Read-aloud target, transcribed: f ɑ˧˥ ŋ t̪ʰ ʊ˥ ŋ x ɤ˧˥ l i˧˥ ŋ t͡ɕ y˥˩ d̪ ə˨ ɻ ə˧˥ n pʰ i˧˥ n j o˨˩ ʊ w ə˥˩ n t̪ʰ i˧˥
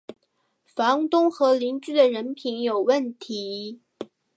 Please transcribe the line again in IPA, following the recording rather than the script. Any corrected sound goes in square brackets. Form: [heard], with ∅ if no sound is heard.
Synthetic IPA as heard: f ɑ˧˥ ŋ [t̪] ʊ˥ ŋ x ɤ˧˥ l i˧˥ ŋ t͡ɕ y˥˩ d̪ ə˨ ɻ ə˧˥ n pʰ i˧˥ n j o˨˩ ʊ w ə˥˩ n t̪ʰ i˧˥